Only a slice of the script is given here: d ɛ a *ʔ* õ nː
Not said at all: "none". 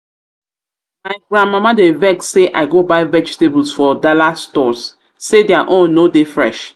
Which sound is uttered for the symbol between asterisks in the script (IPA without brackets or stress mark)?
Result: ʔ